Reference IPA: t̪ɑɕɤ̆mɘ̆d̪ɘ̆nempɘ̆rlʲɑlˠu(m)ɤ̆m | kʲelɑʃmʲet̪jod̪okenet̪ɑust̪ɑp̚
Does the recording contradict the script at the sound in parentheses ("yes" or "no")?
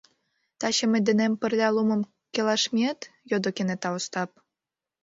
no